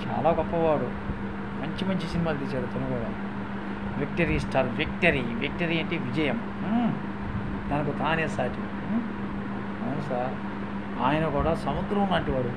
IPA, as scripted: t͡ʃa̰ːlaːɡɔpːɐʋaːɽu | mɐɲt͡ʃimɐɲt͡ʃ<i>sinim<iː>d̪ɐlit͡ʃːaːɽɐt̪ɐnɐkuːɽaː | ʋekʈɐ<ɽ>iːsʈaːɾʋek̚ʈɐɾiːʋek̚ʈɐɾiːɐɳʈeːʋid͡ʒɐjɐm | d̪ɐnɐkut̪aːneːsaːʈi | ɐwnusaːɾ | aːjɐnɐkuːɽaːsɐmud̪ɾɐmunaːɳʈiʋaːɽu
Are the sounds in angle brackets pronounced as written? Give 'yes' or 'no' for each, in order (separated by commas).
yes, no, no